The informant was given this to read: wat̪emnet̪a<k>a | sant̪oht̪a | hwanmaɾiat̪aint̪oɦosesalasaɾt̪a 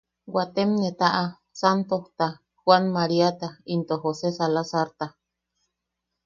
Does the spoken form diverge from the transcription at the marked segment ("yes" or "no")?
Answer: yes